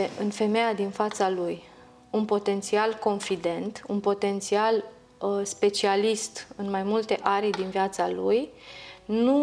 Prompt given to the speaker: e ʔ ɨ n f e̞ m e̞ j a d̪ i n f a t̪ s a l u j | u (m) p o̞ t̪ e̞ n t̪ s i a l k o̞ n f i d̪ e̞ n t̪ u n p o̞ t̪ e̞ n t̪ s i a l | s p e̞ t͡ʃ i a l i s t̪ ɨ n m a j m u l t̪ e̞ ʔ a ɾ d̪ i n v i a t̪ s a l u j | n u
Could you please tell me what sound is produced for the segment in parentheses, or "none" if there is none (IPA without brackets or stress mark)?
n